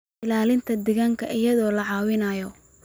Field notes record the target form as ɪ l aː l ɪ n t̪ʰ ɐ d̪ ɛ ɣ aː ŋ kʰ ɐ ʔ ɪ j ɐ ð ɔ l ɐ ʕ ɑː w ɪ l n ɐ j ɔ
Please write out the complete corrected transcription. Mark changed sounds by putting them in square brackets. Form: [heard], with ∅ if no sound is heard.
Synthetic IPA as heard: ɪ l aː l ɪ n t̪ʰ ɐ d̪ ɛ ɣ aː ŋ kʰ ɐ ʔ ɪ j ɐ ð [ɔː] l ɐ ʕ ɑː w ɪ [∅] n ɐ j ɔ

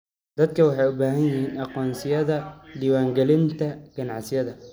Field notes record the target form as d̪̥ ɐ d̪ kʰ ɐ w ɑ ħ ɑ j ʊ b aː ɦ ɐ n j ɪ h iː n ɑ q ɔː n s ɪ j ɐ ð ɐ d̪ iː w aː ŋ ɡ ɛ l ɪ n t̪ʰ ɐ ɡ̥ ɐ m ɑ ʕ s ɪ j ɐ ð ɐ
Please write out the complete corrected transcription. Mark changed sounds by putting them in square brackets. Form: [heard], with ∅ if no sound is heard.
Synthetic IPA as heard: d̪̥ ɐ d̪ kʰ ɐ w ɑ ħ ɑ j ʊ b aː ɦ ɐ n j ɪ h iː n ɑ q ɔː n s ɪ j ɐ ð ɐ d̪ iː w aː ŋ ɡ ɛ l ɪ n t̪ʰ ɐ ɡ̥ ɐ [n] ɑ ʕ s ɪ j ɐ ð ɐ

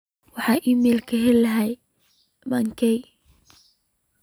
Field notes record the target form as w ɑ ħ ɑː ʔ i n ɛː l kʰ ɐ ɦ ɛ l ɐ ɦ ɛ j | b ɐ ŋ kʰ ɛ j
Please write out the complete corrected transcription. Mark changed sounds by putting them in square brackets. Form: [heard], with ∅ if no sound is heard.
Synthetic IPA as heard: w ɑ ħ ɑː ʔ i [m] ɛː l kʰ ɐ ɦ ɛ l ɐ ɦ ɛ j | [m] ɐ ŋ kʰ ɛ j

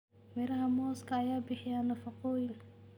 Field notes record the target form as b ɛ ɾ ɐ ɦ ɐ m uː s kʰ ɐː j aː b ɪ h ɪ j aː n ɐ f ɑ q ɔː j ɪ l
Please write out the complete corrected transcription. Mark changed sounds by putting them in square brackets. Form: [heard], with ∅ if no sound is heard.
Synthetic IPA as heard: [m] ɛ ɾ ɐ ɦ ɐ m [ɔː] s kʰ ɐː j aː b ɪ [ħ] ɪ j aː n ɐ f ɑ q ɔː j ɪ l

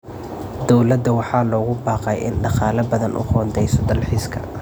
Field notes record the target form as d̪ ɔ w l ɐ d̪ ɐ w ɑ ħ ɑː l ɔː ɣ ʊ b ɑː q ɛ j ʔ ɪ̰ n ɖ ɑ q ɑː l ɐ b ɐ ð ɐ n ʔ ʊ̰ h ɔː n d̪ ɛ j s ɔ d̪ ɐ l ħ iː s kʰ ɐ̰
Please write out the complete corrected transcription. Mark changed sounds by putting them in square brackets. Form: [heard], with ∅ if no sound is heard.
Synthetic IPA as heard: d̪ ɔ w l ɐ d̪ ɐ w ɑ ħ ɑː l ɔː ɣ ʊ b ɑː q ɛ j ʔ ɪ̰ n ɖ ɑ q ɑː l ɐ b ɐ ð ɐ n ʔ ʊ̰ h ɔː n d̪ ɛ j s ɔ d̪ ɐ l ħ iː s kʰ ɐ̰

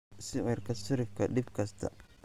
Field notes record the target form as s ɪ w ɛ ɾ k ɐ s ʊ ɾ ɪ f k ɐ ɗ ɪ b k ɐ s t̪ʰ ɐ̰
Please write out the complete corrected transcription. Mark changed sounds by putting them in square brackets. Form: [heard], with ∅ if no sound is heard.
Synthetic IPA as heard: s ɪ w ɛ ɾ k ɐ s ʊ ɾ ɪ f k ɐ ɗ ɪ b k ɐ s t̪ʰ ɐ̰

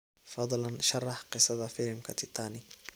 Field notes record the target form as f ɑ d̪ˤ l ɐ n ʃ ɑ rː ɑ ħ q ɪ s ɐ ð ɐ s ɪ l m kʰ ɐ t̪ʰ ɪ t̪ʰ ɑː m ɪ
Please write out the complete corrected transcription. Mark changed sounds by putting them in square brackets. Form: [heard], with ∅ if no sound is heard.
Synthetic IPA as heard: f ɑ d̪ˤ l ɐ n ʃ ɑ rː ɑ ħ q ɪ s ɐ ð ɐ [f] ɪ l m kʰ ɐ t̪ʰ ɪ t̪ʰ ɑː [n] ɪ

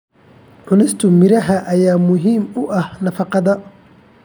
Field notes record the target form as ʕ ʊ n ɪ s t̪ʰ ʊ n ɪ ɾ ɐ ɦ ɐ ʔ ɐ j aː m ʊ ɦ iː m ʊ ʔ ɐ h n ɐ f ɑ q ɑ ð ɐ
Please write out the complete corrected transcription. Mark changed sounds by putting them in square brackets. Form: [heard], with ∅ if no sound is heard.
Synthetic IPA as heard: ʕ ʊ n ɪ s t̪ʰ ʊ [m] ɪ ɾ ɐ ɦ ɐ ʔ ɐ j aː m ʊ ɦ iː m ʊ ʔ ɐ h n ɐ f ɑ q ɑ ð ɐ

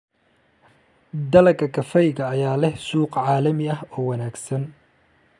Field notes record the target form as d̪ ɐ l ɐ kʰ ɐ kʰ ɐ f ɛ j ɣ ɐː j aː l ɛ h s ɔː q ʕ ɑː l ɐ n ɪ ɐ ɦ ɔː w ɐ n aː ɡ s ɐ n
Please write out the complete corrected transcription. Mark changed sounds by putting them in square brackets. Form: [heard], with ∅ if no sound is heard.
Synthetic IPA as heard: d̪ ɐ l ɐ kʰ ɐ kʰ ɐ f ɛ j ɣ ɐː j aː l ɛ h s [uː] q ʕ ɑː l ɐ [m] ɪ ɐ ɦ ɔː w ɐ n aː ɡ s ɐ n

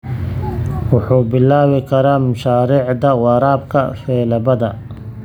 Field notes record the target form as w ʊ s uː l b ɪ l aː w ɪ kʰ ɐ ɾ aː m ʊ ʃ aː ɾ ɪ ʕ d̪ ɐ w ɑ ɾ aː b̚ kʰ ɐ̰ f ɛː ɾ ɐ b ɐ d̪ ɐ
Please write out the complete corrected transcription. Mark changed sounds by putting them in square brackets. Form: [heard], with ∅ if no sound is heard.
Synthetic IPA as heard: w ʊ [ħ] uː [∅] b ɪ l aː w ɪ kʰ ɐ ɾ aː m ʊ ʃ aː ɾ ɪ ʕ d̪ ɐ w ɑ ɾ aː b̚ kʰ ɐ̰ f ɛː [l] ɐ b ɐ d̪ ɐ

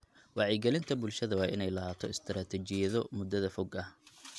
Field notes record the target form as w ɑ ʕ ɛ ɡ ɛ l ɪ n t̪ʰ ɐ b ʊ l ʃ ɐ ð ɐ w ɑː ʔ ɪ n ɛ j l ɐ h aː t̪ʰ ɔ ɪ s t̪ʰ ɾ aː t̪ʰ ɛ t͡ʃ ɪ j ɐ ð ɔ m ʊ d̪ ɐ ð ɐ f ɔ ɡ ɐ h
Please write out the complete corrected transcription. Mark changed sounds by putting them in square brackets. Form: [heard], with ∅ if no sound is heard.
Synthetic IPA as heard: w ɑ ʕ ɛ ɡ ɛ l ɪ n t̪ʰ ɐ b ʊ l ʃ ɐ ð ɐ w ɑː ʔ ɪ n ɛ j l ɐ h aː t̪ʰ ɔ ɪ s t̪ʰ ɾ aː t̪ʰ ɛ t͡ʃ ɪ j ɐ ð ɔ m ʊ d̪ ɐ ð ɐ f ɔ ɡ ɐ h

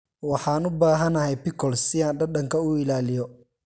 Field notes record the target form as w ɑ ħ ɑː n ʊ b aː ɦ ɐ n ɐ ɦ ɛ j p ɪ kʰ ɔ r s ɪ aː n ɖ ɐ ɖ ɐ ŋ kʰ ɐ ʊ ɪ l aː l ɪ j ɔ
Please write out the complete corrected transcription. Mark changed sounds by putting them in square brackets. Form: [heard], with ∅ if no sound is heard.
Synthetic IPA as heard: w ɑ ħ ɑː n ʊ b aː ɦ ɐ n ɐ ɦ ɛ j p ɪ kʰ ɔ [l] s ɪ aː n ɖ ɐ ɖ ɐ ŋ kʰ ɐ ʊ ɪ l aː l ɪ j ɔ

